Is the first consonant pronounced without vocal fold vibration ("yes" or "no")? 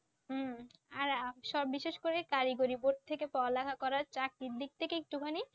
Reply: no